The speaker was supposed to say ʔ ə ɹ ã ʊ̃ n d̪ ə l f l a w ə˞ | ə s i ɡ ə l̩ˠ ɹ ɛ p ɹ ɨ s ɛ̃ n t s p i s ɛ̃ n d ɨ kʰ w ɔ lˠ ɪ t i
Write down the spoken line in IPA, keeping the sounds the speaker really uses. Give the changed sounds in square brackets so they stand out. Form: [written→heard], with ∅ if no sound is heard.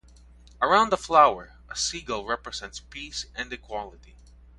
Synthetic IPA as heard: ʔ ə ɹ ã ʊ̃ n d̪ ə [l→∅] f l a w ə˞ | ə s i ɡ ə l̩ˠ ɹ ɛ p ɹ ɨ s ɛ̃ n t s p i s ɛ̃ n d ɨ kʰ w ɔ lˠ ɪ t i